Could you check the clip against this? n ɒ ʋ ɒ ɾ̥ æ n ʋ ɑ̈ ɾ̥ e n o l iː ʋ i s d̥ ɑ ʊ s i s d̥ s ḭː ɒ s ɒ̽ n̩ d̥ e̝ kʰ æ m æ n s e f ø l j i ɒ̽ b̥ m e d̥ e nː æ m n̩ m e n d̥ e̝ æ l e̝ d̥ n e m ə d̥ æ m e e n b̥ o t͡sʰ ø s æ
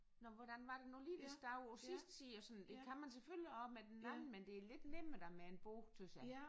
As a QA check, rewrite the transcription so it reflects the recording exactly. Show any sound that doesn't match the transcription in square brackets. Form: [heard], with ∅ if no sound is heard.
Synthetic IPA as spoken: n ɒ ʋ ɒ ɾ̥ æ n ʋ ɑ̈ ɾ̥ e n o l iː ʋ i s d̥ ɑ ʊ s i s d̥ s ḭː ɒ s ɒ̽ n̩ d̥ e̝ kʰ æ m æ n s e f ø l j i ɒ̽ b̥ m e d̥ e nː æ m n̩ m e n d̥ e̝ æ l e̝ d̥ n e m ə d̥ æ m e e n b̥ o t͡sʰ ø s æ